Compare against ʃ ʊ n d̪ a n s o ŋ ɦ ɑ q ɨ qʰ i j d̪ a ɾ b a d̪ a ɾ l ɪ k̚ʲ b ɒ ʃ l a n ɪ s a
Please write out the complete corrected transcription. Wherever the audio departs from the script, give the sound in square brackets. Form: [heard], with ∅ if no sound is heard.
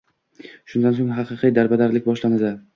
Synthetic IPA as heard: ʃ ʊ n d̪ a n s o ŋ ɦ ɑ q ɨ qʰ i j d̪ a ɾ b a d̪ a ɾ l ɪ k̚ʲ b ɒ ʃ l a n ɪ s a